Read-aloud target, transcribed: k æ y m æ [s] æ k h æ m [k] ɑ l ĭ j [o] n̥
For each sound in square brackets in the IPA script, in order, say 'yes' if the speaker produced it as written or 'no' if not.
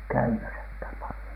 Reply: yes, no, yes

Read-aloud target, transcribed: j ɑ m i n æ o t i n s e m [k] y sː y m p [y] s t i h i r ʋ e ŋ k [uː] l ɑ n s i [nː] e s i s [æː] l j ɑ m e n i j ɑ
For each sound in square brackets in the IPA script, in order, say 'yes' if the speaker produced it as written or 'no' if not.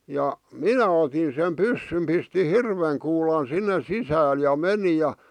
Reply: no, no, yes, yes, yes

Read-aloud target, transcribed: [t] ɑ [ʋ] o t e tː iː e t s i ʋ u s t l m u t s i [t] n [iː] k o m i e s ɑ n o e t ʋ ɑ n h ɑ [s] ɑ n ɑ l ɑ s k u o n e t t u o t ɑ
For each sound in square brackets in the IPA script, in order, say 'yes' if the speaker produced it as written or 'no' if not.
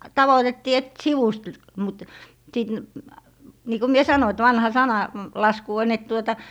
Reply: yes, yes, yes, yes, yes

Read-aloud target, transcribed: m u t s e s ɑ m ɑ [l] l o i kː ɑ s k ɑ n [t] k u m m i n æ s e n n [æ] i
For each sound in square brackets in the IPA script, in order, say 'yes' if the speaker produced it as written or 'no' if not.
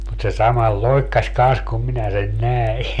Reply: yes, no, yes

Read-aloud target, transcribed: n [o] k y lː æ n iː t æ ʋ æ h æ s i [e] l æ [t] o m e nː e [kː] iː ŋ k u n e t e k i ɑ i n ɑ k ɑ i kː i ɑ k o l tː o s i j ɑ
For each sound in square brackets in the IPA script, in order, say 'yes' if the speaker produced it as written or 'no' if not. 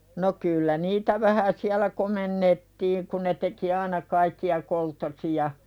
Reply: yes, no, no, no

